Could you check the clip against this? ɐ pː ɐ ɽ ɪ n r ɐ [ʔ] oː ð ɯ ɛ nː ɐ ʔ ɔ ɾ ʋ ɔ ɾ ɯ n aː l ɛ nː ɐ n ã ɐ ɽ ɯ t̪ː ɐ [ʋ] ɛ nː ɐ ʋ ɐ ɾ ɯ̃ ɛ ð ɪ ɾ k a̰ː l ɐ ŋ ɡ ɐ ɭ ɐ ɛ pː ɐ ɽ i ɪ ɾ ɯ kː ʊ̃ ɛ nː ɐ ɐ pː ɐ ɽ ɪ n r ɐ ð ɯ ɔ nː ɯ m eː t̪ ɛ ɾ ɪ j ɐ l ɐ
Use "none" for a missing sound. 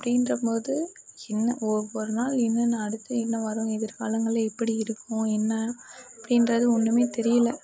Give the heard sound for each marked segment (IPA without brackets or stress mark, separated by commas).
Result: p, none